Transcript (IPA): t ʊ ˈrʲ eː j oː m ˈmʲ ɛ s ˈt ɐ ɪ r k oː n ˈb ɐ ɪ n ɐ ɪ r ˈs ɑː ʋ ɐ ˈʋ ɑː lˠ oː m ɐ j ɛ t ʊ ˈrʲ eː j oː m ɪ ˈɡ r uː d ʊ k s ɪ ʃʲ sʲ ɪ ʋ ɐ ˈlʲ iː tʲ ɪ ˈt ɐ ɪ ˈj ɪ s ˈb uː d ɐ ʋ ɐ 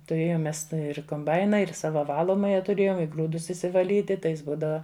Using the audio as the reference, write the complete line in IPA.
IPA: t ʊ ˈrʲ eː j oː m ˈmʲ ɛ s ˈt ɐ ɪ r k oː m ˈb ɐ ɪ n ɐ ɪ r ˈs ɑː ʋ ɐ ˈʋ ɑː lˠ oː m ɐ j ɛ t ʊ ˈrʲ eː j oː m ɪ ˈɡ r uː d ʊ s ɪ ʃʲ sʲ ɪ ʋ ɐ ˈlʲ iː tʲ ɪ ˈt ɐ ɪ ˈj ɪ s ˈb uː d ɐ ʋ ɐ